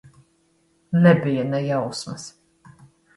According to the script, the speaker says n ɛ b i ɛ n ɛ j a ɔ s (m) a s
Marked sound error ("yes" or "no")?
no